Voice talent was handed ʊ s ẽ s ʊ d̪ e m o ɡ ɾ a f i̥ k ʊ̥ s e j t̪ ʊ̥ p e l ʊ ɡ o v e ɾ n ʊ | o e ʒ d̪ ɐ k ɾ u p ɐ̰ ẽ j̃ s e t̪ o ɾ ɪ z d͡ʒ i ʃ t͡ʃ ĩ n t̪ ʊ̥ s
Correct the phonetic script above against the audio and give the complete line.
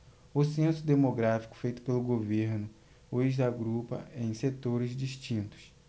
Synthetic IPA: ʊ s ẽ s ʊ d̪ e m o ɡ ɾ a f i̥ k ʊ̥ f e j t̪ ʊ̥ p e l ʊ ɡ o v e ɾ n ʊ | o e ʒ d̪ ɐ ɡ ɾ u p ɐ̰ ẽ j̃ s e t̪ o ɾ ɪ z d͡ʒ i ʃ t͡ʃ ĩ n t̪ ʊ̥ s